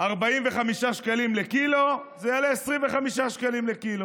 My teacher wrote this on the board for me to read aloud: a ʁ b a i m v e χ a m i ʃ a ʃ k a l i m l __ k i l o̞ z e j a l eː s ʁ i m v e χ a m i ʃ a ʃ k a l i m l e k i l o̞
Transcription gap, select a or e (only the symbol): e